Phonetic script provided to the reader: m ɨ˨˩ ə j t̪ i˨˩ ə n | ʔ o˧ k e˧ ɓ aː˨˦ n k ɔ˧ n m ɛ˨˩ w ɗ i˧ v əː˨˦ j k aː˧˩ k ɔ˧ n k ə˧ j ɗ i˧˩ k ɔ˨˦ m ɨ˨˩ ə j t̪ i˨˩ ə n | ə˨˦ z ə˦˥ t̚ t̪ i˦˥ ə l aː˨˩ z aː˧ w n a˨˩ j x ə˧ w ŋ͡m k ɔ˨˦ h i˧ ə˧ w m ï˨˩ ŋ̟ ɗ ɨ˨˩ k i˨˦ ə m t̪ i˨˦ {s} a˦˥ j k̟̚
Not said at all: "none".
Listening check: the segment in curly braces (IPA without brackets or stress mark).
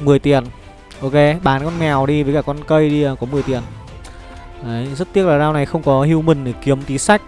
s